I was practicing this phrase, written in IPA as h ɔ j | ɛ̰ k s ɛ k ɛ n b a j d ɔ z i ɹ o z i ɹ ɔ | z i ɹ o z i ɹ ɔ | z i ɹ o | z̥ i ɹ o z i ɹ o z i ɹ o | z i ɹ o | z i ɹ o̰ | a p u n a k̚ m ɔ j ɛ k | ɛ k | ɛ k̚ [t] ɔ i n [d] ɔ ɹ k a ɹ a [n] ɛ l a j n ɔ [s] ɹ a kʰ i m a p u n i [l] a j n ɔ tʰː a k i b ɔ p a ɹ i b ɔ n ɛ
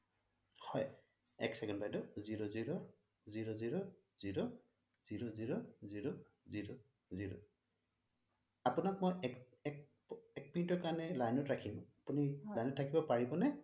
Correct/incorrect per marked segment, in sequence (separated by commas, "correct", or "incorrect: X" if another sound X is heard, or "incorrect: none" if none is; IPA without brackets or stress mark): incorrect: p, incorrect: t, correct, incorrect: t, correct